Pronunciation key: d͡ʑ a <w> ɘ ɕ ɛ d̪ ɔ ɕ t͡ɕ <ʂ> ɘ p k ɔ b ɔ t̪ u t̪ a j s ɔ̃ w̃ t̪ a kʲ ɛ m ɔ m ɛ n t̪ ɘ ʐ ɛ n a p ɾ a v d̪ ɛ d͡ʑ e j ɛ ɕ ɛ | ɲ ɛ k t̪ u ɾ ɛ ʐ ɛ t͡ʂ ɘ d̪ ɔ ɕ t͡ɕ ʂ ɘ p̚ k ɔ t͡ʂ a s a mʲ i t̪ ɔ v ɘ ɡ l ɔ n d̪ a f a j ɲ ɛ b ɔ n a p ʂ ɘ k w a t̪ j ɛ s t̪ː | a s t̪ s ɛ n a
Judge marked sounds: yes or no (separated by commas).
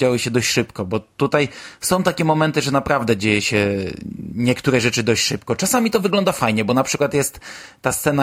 yes, yes